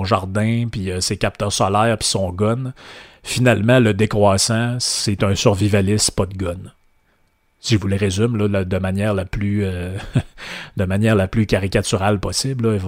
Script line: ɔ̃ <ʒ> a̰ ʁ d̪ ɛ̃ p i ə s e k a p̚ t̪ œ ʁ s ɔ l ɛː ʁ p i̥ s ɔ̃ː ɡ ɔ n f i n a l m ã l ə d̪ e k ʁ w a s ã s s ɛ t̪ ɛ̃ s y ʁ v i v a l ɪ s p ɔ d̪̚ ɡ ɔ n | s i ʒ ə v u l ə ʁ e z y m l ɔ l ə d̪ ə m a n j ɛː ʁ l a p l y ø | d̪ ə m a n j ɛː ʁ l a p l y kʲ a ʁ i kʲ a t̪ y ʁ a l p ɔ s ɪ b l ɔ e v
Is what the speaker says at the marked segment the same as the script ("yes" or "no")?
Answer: yes